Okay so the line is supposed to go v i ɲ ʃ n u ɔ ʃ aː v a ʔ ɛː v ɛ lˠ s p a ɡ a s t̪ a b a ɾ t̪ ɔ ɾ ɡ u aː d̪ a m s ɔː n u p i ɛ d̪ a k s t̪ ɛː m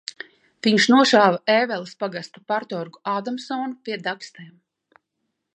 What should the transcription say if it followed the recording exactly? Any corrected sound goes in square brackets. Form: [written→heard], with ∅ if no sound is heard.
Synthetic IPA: v i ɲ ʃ n u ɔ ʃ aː v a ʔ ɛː v ɛ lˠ s p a ɡ a s t̪ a [b→p] a ɾ t̪ ɔ ɾ ɡ u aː d̪ a m s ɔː n u p i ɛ d̪ a k s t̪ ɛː m

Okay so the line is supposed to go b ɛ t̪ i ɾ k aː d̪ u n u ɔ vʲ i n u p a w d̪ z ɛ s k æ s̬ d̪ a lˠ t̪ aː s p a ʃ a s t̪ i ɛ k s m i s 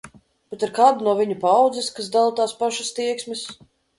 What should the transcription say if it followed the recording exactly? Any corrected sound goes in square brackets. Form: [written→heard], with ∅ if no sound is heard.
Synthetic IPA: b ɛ t̪ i ɾ k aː d̪ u n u ɔ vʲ i [n→ɲ] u p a w d̪ z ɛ s k [æ→a] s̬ d̪ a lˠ t̪ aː s p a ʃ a s t̪ i ɛ k s m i s

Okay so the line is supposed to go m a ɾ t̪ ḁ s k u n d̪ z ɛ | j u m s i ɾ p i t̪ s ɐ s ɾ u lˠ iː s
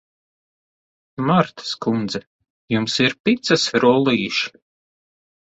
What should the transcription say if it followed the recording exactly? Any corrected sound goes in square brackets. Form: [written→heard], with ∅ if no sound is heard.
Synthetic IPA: m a ɾ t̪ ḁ s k u n d̪ z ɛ | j u m s i ɾ p i t̪ s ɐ s ɾ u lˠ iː [s→ʃ]

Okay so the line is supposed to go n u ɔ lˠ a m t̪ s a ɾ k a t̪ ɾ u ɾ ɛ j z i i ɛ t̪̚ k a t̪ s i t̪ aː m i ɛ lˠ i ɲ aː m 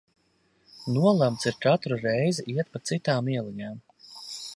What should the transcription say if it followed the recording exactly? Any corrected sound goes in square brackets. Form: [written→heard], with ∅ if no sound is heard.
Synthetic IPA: n u ɔ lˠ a m t̪ s [a→i] ɾ k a t̪ ɾ u ɾ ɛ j z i i ɛ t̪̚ [k→p] a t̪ s i t̪ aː m i ɛ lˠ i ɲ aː m

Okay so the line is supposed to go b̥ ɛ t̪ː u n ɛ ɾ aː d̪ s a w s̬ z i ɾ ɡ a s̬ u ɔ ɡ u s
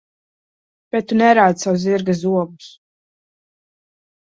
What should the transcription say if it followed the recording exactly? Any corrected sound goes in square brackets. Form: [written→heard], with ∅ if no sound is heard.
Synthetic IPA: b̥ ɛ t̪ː u n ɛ ɾ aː d̪ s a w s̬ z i ɾ ɡ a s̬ u ɔ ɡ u s

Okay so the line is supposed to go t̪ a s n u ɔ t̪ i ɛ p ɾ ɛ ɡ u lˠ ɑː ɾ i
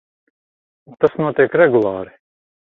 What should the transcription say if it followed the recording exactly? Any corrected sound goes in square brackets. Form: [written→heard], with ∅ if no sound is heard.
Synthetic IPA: t̪ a s n u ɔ t̪ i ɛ [p→k] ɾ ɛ ɡ u lˠ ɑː ɾ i

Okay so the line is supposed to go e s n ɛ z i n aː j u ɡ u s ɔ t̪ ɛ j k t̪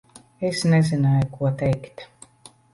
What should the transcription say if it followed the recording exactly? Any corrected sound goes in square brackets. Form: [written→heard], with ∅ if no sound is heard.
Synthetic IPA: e s n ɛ z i n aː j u [ɡ→k] u [s→∅] ɔ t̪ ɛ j k t̪

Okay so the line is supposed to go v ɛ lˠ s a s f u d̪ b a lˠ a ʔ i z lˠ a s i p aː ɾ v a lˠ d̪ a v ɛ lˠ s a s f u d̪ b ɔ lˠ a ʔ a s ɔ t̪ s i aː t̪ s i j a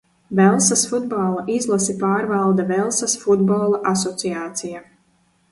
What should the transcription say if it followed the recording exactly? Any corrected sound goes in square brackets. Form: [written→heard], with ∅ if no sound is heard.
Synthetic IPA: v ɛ lˠ s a s f u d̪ b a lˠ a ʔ i z lˠ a s i p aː ɾ v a lˠ d̪ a v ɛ lˠ s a s f u d̪ b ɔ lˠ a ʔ a s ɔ t̪ s i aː t̪ s i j a

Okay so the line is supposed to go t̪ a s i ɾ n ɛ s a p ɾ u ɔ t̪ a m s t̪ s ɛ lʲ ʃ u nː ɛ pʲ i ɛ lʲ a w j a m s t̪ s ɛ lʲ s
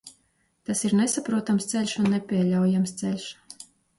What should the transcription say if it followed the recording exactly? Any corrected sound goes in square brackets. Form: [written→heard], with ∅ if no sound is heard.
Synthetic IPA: t̪ a s i ɾ n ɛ s a p ɾ u ɔ t̪ a m s t̪ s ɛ lʲ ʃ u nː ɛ pʲ i ɛ lʲ a w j a m s t̪ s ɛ lʲ [s→ʃ]

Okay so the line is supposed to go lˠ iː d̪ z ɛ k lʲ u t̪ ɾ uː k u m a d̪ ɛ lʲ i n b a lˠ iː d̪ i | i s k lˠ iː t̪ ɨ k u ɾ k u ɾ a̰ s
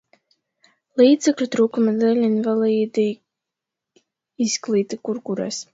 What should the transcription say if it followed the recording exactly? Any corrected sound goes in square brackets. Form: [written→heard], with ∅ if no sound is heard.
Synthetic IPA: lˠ iː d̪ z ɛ k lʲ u t̪ ɾ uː k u m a d̪ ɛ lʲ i n [b→v] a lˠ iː d̪ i | i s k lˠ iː t̪ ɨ k u ɾ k u ɾ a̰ s

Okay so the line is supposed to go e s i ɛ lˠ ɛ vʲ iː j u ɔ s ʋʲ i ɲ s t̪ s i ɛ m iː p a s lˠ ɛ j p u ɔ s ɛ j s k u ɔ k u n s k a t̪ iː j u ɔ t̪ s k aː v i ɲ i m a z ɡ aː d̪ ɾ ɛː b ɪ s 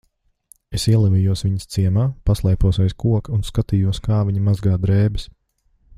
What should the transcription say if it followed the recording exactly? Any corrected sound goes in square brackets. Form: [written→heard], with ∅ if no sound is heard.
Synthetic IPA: e s i ɛ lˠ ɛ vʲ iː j u ɔ s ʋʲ i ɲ s t̪ s i ɛ m [iː→aː] p a s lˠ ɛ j p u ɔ s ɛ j s k u ɔ k u n s k a t̪ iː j u ɔ [t̪→∅] s k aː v i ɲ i m a z ɡ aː d̪ ɾ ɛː b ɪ s

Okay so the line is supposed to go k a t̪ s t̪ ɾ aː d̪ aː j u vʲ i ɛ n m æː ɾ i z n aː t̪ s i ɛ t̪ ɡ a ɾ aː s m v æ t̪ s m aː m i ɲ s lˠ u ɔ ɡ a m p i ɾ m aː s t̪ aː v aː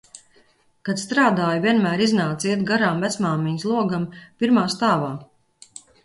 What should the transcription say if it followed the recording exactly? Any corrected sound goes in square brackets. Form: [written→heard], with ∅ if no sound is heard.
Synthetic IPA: k a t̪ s t̪ ɾ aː d̪ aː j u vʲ i ɛ n m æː ɾ i z n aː t̪ s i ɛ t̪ ɡ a ɾ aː [s→∅] m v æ t̪ s m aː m i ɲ s lˠ u ɔ ɡ a m p i ɾ m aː s t̪ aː v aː

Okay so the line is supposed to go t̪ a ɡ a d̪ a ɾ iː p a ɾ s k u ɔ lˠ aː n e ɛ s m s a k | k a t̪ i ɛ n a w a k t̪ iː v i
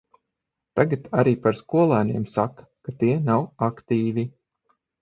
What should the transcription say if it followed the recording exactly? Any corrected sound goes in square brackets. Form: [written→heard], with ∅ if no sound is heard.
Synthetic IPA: t̪ a ɡ a [d̪→t̪] a ɾ iː p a ɾ s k u ɔ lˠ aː n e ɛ [s→∅] m s a k | k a t̪ i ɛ n a w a k t̪ iː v i

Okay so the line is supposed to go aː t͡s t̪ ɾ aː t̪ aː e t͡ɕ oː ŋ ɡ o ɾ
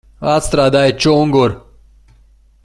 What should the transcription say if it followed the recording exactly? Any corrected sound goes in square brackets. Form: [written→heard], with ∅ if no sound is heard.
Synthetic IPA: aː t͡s t̪ ɾ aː [t̪→d̪] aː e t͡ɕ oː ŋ ɡ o ɾ

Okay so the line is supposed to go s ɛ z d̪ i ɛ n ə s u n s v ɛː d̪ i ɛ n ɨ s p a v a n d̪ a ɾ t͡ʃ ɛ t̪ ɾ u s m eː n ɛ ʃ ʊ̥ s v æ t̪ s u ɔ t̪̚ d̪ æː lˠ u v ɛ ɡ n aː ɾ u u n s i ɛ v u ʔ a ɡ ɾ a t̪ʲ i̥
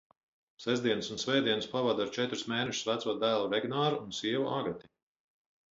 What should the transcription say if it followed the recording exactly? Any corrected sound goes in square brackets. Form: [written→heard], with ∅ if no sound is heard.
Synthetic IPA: s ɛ z d̪ i ɛ n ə s u n s v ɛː d̪ i ɛ n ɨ s p a v a [n→∅] d̪ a ɾ t͡ʃ ɛ t̪ ɾ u s m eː n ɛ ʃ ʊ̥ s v æ t̪ s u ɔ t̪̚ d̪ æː lˠ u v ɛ ɡ n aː ɾ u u n s i ɛ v u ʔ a ɡ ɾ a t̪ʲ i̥

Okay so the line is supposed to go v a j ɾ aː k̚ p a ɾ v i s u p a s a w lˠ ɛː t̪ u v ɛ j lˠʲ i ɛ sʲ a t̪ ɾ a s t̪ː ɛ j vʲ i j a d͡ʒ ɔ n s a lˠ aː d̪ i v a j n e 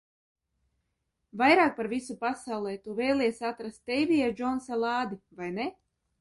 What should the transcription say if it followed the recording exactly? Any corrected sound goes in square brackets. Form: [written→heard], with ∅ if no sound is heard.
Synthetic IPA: v a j ɾ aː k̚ p a ɾ v i s u p a s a w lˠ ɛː t̪ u v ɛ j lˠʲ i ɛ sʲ a t̪ ɾ a s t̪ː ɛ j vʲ i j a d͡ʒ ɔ n s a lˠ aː d̪ i v a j n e

